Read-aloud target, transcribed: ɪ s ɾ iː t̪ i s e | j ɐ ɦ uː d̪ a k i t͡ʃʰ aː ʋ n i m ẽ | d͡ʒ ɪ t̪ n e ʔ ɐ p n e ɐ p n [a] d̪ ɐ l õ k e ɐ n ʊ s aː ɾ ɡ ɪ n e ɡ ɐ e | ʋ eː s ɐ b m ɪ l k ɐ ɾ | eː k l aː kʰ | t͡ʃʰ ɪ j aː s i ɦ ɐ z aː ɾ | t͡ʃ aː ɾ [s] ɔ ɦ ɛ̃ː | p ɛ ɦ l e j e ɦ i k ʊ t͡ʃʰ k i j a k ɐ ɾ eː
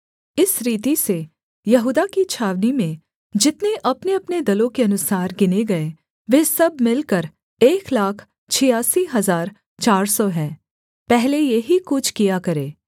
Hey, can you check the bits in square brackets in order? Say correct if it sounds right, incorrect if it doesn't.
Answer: incorrect: e, correct

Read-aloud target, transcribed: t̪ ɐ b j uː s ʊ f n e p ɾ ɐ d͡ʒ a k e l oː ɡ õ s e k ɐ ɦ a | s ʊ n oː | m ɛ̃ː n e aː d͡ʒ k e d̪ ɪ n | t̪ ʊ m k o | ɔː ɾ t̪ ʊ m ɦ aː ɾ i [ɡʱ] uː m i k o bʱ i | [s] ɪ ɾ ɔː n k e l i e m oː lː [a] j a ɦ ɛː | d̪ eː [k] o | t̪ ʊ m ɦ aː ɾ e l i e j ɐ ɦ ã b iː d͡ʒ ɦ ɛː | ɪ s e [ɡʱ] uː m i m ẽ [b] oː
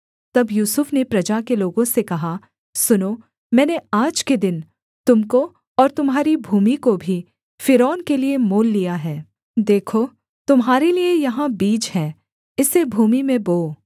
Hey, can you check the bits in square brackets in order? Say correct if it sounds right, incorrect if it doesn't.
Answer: incorrect: bʱ, incorrect: f, incorrect: i, incorrect: kʰ, incorrect: bʱ, correct

